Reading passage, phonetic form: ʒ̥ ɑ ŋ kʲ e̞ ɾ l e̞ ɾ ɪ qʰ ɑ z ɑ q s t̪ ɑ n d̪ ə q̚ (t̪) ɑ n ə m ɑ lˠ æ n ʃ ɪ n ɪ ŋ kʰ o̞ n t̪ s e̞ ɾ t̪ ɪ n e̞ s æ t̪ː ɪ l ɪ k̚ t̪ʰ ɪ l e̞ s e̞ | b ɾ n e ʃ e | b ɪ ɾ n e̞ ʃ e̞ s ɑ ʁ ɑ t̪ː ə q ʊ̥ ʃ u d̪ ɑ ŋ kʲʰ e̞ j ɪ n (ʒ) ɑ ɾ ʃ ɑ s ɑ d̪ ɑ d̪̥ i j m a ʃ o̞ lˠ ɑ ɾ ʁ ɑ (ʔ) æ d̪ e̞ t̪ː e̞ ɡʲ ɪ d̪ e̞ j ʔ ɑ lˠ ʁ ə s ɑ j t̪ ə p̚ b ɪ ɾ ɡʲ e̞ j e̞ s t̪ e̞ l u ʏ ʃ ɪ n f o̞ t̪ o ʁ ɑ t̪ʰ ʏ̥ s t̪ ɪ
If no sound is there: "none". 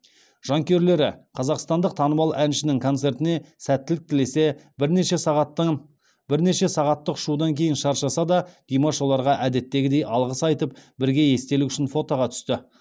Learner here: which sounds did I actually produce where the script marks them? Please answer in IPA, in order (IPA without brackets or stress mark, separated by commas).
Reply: t̪ʰ, ʃ, ʔ